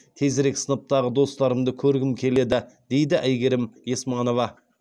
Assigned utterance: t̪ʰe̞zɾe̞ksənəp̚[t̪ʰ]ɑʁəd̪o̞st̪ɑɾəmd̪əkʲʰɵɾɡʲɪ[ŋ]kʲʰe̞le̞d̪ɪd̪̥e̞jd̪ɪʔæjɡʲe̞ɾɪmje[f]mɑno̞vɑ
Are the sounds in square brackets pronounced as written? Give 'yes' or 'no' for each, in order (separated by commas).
no, no, no